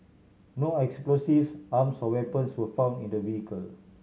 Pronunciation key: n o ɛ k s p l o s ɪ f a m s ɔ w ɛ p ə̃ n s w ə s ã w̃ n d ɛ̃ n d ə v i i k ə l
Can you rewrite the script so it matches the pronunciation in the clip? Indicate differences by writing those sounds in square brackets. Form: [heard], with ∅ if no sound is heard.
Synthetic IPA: n o ɛ k s p l o s [i] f a m s ɔ w ɛ p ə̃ n s w ə [f] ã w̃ n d [ĩ] n d ə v i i k ə l